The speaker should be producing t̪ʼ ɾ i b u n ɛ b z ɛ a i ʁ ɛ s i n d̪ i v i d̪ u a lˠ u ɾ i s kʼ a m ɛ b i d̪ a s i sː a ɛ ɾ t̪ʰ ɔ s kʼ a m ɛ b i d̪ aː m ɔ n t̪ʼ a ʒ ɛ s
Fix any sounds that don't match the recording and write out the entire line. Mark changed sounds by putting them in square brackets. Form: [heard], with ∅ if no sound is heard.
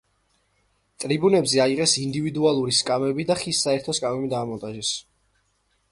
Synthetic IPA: t̪ʼ ɾ i b u n ɛ b z ɛ a i ʁ ɛ s i n d̪ i v i d̪ u a lˠ u ɾ i s kʼ a m ɛ b i d̪ a [χ] i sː a ɛ ɾ t̪ʰ ɔ s kʼ a m ɛ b i d̪ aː m ɔ n t̪ʼ a ʒ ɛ s